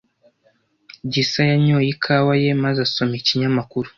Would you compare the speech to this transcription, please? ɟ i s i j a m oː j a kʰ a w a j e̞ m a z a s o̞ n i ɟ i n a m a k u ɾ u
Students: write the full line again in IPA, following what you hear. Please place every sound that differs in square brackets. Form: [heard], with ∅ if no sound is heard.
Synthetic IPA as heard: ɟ i s [a] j a [ɲ] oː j [i] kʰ a w a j e̞ m a z a s o̞ [m] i [c] i [ɲ] a m a k u ɾ u